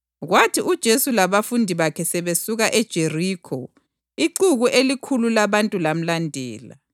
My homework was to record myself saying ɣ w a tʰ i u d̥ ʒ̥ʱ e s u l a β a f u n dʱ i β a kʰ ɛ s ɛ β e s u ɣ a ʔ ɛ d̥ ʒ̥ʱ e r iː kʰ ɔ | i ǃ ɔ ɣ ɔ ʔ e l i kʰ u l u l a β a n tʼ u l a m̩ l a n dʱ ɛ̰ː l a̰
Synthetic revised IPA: ɣ w a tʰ i u d̥ ʒ̥ʱ e s u l a β a f u n dʱ i β a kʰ ɛ s ɛ β e s u ɣ a ʔ ɛ d̥ ʒ̥ʱ e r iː kʰ ɔ | i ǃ u ɣ u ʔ e l i kʰ u l u l a β a n tʼ u l a m̩ l a n dʱ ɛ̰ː l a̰

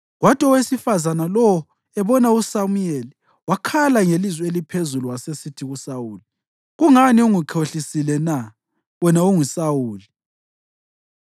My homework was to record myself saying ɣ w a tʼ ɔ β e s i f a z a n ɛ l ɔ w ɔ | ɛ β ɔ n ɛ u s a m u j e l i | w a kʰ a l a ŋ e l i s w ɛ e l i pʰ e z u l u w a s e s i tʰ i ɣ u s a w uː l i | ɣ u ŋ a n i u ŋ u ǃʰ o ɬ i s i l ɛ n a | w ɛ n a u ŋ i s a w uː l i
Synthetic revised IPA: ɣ w a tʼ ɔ w e s i f a z a n a l ɔ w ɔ | ɛ β ɔ n a u s a m u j e l i | w a kʰ a l a ŋ e l i z w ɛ e l i pʰ e z u l u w a s e s i tʰ i ɣ u s a w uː l i | ɣ u ŋ a n i u ŋ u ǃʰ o ɬ i s i l ɛ n a | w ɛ n a u ŋ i s a w uː l i

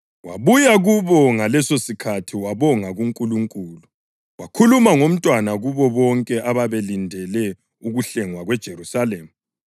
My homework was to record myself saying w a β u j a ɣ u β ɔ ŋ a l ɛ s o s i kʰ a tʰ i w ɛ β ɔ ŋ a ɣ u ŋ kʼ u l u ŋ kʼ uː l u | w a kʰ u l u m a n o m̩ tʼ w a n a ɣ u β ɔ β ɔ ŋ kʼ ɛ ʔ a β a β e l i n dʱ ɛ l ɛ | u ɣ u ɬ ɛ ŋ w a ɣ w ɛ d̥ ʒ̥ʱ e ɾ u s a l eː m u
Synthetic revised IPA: w a β u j a ɣ u β ɔ ŋ a l ɛ s o s i kʰ a tʰ i w a β ɔ ŋ a ɣ u ŋ kʼ u l u ŋ kʼ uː l u | w a kʰ u l u m a ŋ o m̩ tʼ w a n a ɣ u β ɔ β ɔ ŋ kʼ ɛ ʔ a β a β e l i n dʱ ɛ l ɛ | u ɣ u ɬ ɛ ŋ w a ɣ w ɛ d̥ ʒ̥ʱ e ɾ u s a l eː m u

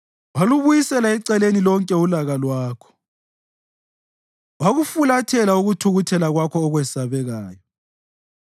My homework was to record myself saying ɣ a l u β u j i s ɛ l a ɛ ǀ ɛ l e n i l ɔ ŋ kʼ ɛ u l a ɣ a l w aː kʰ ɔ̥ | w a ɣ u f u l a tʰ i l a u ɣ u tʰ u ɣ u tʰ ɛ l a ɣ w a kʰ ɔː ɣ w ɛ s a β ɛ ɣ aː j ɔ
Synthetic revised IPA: w a l u β u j i s ɛ l a ɛ ǀ ɛ l e n i l ɔ ŋ kʼ ɛ u l a ɣ a l w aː kʰ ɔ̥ | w a ɣ u f u l a tʰ ɛ l a u ɣ u tʰ u ɣ u tʰ ɛ l a ɣ w a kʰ ɔː ɣ w ɛ s a β ɛ ɣ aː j ɔ

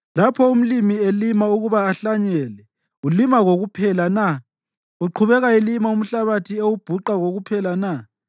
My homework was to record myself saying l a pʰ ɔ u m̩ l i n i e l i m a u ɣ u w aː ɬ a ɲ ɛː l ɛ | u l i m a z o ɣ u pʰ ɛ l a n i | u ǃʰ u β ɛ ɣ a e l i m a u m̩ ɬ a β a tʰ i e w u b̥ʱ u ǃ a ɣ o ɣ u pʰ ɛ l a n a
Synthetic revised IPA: l a pʰ ɔ u m̩ l i m i e l i m a u ɣ u β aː ɬ a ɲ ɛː l ɛ | u l i m a ɣ o ɣ u pʰ ɛ l a n a | u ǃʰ u β ɛ ɣ a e l i m a u m̩ ɬ a β a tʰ i e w u b̥ʱ u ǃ a ɣ o ɣ u pʰ ɛ l a n a

